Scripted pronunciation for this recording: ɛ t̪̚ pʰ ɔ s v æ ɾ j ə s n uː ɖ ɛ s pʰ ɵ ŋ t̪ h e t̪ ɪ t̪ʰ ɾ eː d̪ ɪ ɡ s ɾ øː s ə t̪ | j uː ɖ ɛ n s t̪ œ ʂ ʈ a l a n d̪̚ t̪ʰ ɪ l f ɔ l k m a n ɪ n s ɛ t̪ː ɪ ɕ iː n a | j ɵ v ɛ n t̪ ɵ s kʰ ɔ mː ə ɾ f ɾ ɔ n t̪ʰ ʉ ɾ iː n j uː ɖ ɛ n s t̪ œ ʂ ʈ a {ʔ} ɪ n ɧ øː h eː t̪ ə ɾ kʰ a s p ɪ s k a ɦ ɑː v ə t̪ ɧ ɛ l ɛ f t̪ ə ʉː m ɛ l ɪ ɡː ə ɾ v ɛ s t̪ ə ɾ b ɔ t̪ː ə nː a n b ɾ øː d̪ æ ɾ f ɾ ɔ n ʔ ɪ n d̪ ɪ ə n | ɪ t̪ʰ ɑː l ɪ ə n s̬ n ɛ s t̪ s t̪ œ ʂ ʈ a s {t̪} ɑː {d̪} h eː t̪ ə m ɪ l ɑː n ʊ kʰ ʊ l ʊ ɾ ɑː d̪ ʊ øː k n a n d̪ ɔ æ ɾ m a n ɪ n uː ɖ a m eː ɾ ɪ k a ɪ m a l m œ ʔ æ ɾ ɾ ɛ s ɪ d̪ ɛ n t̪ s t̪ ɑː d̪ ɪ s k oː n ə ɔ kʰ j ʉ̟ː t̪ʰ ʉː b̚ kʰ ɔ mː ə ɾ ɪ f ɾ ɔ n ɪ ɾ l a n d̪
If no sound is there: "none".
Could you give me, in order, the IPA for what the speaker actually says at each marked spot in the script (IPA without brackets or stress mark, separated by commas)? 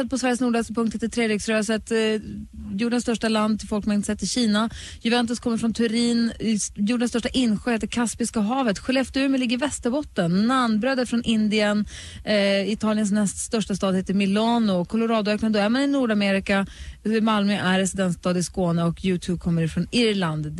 ʔ, t̪, d̪